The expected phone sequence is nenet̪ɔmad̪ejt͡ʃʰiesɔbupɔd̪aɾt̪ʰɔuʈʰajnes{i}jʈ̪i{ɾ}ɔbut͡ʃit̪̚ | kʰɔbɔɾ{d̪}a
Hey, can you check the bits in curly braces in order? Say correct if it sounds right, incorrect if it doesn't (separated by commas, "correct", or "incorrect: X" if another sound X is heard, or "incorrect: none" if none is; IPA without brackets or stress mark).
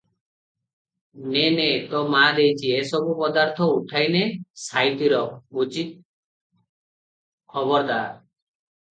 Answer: incorrect: a, correct, correct